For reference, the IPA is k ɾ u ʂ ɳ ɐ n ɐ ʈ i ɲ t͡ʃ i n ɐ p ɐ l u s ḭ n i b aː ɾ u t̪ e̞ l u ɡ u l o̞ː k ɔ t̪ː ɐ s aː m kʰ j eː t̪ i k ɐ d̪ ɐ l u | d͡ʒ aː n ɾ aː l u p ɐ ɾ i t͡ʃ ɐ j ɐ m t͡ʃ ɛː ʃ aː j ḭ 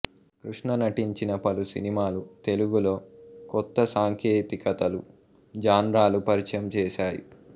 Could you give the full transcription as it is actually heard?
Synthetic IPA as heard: k ɾ u ʂ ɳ ɐ n ɐ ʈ i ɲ t͡ʃ i n ɐ p ɐ l u s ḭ n i m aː l u t̪ e̞ l u ɡ u l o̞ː k ɔ t̪ː ɐ s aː ŋ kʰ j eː t̪ i k ɐ t̪ ɐ l u | d͡ʒ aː n ɾ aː l u p ɐ ɾ i t͡ʃ ɐ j ɐ m t͡ʃ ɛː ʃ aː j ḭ